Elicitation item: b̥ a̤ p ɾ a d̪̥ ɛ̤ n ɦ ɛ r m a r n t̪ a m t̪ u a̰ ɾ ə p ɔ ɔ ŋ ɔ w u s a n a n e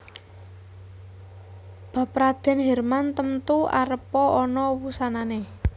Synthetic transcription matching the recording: b̥ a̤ p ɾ a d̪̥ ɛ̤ n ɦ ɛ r m a n t̪ ə m t̪ u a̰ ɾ ə p ɔ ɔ n ɔ w u s a n a n e